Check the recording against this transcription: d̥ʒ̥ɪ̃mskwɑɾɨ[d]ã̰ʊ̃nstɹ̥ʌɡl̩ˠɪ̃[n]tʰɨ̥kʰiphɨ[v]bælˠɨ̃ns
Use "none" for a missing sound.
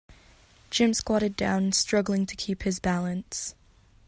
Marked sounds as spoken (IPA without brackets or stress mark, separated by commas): d, ŋ, z